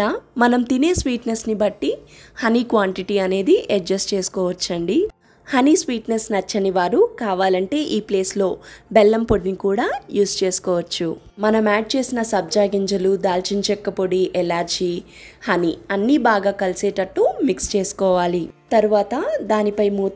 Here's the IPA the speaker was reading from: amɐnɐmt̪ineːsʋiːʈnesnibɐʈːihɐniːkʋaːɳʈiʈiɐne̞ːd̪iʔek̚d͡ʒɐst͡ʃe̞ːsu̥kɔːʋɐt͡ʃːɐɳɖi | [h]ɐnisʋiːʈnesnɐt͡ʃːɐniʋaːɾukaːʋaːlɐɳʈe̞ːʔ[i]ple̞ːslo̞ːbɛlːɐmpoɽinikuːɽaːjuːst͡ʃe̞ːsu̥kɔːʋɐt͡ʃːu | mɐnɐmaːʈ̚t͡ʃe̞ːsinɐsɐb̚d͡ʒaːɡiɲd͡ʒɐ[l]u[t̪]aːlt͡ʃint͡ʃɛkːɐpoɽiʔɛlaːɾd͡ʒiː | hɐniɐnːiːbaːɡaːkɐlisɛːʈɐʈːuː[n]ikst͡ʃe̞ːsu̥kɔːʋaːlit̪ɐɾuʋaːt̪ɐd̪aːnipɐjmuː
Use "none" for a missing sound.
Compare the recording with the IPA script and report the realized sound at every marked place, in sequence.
h, iː, l, d̪, m

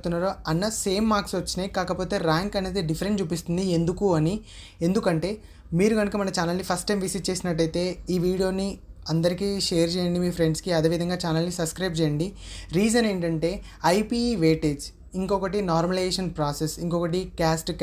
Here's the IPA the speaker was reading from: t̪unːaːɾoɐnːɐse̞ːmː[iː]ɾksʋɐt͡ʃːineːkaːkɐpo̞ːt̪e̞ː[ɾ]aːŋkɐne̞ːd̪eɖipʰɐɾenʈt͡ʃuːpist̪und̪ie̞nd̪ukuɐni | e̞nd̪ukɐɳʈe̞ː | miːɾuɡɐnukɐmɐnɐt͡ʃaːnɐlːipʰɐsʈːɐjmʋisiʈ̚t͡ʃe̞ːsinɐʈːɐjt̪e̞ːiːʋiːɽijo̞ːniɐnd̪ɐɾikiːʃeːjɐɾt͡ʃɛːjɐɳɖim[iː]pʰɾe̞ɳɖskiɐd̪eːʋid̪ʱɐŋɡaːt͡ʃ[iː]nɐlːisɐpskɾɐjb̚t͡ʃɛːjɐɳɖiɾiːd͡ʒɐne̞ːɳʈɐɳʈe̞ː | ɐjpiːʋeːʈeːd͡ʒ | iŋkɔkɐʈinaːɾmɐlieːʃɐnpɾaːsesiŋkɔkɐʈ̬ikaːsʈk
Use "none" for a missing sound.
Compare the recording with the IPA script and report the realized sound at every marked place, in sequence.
aː, ɾ, iː, aː

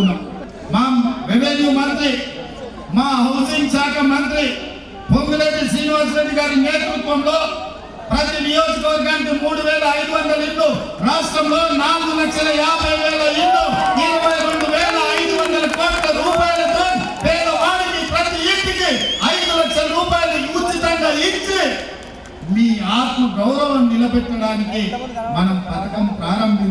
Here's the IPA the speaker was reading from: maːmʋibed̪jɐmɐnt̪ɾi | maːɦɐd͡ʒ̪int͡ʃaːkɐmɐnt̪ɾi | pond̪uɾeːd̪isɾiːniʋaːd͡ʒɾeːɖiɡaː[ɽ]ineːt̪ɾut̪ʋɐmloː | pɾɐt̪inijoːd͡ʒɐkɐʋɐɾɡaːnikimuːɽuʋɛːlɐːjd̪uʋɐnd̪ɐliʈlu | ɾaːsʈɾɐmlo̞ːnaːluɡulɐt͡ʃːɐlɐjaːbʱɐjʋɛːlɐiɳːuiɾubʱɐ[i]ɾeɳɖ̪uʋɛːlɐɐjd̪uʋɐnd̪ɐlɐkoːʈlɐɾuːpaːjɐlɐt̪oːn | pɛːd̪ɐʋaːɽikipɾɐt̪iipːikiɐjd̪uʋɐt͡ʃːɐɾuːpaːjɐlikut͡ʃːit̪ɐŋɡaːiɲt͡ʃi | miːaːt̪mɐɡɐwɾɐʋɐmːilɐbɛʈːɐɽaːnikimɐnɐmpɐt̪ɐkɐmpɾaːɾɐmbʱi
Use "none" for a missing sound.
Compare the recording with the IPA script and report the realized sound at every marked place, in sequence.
ɾ, j

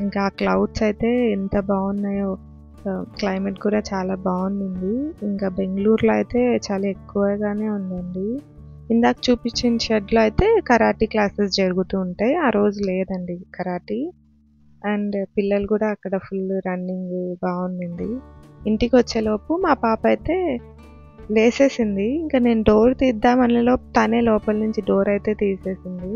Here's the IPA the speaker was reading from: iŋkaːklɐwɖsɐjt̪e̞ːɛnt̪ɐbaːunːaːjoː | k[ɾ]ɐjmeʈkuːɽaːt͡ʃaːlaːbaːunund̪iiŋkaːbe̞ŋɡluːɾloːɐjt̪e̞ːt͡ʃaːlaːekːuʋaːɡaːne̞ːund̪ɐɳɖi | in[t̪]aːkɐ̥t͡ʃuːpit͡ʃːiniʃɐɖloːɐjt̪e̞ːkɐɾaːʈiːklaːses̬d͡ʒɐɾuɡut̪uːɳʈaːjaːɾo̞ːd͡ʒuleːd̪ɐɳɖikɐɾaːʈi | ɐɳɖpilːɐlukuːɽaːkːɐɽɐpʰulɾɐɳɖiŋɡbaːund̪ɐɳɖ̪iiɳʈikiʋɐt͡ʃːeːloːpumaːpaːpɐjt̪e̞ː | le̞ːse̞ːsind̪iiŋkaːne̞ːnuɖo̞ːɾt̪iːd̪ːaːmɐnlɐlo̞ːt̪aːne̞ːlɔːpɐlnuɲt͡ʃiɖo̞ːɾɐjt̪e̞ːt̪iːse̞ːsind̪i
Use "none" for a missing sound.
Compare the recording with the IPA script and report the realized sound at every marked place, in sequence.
l, d̪

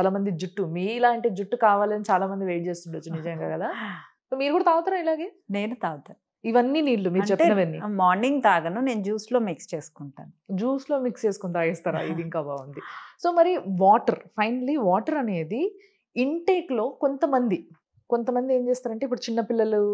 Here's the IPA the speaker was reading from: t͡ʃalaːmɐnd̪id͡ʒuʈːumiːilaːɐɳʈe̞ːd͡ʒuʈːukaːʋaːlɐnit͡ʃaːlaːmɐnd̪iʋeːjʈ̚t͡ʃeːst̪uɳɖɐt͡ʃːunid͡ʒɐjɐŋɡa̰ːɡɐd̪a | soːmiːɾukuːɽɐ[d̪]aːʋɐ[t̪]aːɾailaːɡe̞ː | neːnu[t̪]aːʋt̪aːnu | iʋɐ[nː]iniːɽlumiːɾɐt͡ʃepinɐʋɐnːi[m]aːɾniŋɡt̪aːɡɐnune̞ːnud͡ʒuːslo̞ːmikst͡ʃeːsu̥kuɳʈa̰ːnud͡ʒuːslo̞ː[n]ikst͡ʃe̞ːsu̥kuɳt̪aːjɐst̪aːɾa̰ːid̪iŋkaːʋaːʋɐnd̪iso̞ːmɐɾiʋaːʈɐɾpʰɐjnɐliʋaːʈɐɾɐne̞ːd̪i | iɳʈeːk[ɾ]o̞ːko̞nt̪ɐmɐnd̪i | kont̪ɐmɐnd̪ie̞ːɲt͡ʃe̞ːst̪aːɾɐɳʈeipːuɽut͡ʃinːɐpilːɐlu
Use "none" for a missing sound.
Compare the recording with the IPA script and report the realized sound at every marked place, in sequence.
t̪, t̪, t̪, nː, m, m, l

